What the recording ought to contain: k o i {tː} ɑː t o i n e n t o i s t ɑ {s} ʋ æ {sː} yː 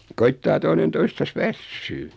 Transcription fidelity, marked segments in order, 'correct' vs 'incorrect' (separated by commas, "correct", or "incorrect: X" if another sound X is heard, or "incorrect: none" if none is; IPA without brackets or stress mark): correct, correct, correct